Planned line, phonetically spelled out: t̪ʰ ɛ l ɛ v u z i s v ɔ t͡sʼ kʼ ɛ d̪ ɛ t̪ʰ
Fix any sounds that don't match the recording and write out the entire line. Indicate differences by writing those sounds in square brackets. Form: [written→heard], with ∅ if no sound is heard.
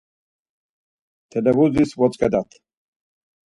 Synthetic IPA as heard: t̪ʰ ɛ l ɛ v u z i s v ɔ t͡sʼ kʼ ɛ d̪ [ɛ→a] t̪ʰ